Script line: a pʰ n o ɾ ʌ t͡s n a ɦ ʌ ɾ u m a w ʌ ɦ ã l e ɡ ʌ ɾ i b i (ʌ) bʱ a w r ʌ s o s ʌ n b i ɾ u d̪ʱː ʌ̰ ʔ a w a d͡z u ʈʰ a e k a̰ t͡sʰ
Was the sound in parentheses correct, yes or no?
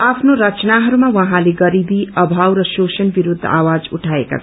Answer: yes